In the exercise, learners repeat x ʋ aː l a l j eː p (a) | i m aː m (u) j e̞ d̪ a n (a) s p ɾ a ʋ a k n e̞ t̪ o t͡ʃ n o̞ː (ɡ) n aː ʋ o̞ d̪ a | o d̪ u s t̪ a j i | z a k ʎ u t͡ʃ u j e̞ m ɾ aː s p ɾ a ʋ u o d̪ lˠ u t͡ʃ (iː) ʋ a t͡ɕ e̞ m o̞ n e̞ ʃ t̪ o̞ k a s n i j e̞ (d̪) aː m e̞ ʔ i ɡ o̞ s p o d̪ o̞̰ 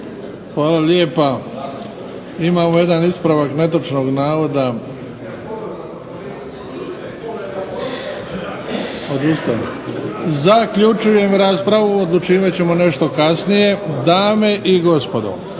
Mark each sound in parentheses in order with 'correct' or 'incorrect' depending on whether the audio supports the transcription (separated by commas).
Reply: correct, incorrect, incorrect, correct, correct, correct